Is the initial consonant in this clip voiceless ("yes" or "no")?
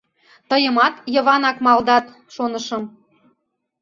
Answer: yes